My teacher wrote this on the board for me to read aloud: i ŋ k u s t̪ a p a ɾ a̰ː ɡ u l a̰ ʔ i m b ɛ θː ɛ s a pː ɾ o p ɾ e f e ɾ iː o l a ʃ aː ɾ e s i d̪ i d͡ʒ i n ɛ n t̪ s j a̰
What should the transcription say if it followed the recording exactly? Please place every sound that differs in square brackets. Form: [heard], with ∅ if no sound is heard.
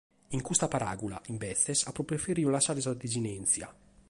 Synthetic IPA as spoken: i ŋ k u s t̪ a p a ɾ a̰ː ɡ u l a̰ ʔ i m b ɛ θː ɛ s a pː ɾ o p ɾ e f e ɾ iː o l a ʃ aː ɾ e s [a] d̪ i d͡ʒ i n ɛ n t̪ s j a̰